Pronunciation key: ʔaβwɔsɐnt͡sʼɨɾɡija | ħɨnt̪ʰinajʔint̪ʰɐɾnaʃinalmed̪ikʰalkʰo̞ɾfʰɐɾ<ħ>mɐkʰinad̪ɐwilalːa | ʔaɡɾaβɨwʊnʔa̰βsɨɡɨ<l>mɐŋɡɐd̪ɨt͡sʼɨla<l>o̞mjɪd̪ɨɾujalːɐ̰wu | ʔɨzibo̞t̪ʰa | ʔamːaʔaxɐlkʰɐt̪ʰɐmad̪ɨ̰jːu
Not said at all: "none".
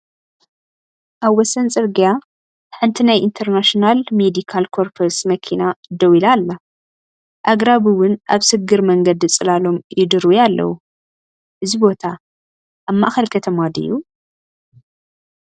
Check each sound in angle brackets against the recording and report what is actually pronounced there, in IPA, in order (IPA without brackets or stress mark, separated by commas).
s, ɾ, l